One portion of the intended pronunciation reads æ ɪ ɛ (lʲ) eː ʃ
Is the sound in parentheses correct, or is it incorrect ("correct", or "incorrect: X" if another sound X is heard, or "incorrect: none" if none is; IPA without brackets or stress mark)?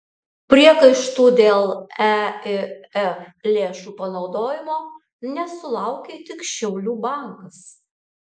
correct